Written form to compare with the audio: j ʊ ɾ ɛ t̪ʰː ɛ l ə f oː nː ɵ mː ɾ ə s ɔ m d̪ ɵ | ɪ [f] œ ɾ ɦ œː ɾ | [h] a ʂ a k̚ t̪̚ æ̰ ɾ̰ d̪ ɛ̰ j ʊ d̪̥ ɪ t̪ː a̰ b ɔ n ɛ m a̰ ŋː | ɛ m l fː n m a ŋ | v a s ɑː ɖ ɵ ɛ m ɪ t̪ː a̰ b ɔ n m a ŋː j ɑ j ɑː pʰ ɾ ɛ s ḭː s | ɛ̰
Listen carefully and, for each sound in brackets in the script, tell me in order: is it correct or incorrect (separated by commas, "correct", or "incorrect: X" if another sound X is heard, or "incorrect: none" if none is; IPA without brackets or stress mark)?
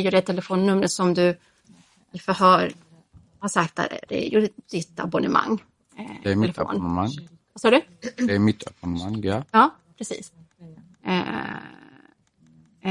correct, correct